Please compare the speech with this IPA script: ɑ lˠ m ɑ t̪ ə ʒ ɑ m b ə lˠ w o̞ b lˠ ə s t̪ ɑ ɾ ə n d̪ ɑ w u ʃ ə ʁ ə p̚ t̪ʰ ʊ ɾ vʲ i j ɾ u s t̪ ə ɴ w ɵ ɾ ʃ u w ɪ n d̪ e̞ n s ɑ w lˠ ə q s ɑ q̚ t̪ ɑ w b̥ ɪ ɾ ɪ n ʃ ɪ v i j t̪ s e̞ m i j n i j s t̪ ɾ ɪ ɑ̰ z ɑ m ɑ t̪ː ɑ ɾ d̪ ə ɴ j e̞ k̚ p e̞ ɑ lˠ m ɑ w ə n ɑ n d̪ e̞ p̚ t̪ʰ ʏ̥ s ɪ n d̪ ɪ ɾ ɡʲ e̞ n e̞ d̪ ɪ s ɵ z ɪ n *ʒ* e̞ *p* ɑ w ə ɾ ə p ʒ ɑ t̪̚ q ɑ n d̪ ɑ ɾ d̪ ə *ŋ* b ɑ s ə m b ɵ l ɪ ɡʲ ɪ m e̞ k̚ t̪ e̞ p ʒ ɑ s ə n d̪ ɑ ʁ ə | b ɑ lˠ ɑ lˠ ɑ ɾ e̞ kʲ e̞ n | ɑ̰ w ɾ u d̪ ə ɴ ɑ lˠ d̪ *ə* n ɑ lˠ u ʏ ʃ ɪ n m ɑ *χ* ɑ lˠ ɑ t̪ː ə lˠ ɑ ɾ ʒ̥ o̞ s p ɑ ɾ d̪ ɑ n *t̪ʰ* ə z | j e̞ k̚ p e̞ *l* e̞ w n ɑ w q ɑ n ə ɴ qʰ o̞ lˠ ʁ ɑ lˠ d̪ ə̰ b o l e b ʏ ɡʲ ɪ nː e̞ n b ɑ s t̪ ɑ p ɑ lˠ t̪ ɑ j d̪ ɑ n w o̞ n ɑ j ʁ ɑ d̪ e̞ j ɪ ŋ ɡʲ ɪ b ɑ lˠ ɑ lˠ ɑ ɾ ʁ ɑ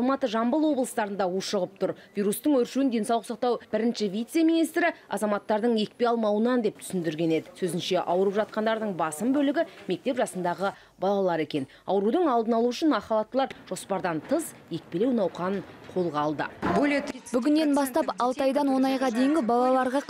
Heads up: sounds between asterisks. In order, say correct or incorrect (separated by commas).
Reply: incorrect, incorrect, incorrect, correct, correct, correct, correct